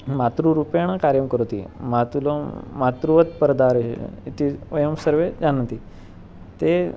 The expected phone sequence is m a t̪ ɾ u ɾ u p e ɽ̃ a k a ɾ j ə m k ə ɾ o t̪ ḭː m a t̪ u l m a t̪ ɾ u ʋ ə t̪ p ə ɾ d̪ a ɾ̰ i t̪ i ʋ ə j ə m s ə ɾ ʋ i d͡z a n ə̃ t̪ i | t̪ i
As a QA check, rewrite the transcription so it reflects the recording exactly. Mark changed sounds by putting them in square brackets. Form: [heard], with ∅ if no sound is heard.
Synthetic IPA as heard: m a t̪ ɾ u ɾ u p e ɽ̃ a k a ɾ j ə m k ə ɾ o t̪ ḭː m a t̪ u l m a t̪ ɾ u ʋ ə t̪ p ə ɾ d̪ a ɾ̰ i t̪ i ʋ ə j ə m s ə ɾ ʋ [e] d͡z a n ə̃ t̪ i | t̪ [e]